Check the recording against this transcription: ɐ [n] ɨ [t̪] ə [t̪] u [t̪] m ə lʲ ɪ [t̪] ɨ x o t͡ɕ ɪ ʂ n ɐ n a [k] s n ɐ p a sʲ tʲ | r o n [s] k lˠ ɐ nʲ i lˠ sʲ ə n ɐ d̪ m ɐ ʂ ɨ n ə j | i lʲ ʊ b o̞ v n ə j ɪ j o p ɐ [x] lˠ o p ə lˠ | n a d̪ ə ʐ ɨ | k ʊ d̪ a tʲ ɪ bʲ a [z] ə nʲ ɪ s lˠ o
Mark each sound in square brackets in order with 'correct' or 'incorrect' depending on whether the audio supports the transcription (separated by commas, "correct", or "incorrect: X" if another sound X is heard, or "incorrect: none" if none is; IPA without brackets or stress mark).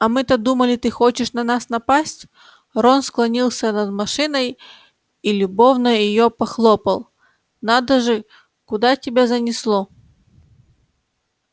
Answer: incorrect: m, correct, incorrect: d̪, incorrect: none, correct, incorrect: none, correct, correct, correct